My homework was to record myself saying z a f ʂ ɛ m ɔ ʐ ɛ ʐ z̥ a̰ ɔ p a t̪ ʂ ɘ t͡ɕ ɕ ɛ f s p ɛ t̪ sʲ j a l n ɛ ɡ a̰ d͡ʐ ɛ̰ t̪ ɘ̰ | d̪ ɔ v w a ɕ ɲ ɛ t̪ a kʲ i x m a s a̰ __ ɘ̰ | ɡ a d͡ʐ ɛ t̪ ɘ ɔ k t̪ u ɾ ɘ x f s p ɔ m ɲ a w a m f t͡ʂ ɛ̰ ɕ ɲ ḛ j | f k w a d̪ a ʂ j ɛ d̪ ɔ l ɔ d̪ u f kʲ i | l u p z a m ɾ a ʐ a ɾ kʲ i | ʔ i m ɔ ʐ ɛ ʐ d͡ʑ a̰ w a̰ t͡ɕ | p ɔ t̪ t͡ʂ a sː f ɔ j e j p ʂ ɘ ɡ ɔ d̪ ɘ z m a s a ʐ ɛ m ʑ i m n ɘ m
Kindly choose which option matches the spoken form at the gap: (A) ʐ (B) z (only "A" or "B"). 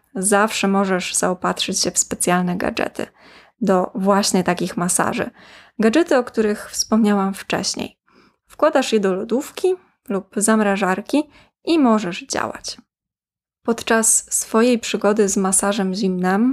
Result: A